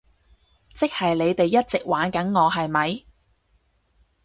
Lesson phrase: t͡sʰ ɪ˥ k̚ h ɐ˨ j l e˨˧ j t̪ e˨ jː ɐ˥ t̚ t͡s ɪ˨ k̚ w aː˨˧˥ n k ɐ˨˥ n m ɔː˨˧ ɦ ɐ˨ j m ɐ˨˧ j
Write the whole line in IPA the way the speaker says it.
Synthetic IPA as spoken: t͡s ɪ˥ k̚ h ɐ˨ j l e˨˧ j t̪ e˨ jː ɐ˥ t̚ t͡s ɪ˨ k̚ w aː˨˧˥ n k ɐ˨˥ n ŋ ɔː˨˧ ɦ ɐ˨ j m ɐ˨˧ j

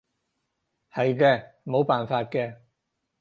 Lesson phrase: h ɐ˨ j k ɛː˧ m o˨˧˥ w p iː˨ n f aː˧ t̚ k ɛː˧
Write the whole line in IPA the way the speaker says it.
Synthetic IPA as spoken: h ɐ˨ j k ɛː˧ m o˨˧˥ w p aː˨ n f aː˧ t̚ k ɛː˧

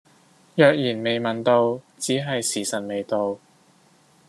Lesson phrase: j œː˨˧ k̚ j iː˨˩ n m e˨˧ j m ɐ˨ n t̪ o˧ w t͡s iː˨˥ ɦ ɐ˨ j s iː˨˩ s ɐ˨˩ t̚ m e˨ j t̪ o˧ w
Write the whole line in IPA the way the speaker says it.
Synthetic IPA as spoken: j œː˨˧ k̚ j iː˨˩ n m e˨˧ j m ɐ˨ n t̪ o˧ w t͡s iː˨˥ ɦ ɐ˨ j s iː˨˩ s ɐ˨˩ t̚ m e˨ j t̪ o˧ w

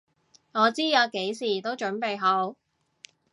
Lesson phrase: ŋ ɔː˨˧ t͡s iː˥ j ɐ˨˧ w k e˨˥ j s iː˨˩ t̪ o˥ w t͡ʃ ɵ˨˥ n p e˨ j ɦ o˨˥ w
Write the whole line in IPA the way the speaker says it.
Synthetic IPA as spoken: ŋ ɔː˨˧ t͡s iː˥ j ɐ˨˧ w k e˨˥ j s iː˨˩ t̪ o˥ w t͡ʃ ɵ˨˥ n p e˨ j ɦ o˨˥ w

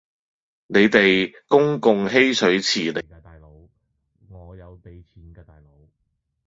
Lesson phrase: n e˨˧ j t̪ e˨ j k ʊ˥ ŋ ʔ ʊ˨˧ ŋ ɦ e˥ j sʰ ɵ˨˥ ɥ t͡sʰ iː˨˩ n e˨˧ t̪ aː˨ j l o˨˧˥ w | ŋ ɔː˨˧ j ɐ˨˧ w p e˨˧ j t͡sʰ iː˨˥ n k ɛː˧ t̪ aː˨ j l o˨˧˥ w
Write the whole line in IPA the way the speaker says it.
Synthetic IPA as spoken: n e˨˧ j t̪ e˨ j k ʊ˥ ŋ k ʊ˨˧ ŋ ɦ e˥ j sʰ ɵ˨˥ ɥ t͡sʰ iː˨˩ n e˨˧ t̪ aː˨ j l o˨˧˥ w | ŋ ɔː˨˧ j ɐ˨˧ w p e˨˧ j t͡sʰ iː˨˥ n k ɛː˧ t̪ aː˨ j l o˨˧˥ w

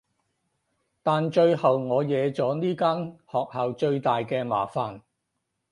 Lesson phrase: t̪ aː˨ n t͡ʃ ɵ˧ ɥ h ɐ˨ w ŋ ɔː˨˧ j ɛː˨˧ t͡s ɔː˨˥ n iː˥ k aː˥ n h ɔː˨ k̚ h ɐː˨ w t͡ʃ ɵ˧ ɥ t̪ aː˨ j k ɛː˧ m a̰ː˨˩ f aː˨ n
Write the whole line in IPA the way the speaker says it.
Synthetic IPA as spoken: t̪ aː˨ n t͡ʃ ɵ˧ ɥ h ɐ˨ w ŋ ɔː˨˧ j ɛː˨˧ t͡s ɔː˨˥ n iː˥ k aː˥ n h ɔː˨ k̚ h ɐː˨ w t͡ʃ ɵ˧ ɥ t̪ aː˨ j k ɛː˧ m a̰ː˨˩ f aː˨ n

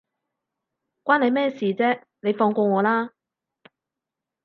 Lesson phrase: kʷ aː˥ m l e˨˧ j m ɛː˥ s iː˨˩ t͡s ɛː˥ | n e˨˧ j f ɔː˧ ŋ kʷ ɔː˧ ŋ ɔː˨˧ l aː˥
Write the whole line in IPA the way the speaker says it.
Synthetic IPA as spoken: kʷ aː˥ n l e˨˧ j m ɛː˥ s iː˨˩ t͡s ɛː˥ | n e˨˧ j f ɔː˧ ŋ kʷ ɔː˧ ŋ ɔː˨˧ l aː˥

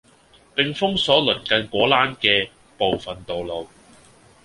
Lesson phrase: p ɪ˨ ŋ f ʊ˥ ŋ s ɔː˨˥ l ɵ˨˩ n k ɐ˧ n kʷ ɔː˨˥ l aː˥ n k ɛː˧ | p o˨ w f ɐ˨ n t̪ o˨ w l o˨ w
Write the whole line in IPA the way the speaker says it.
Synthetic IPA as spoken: p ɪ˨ ŋ f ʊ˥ ŋ s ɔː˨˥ l ɵ˨˩ n k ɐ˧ n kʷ ɔː˨˥ l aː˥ n k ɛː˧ | p o˨ w f ɐ˨ n t̪ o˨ w l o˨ w

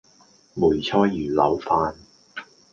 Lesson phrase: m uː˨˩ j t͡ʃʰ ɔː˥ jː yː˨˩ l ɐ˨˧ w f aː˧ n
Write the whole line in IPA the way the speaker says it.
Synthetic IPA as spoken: m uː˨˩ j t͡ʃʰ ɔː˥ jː yː˨˩ l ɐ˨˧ w f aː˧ n

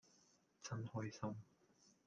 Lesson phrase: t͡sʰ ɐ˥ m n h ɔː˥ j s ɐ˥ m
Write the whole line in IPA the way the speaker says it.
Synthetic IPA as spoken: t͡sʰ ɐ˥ n h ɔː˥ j s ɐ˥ m

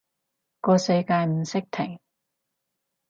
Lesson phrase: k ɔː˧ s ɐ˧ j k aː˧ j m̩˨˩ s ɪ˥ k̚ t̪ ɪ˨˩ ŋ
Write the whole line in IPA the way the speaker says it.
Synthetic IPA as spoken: k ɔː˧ s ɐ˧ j k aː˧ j m̩˨˩ s ɪ˥ k̚ t̪ʰ ɪ˨˩ ŋ

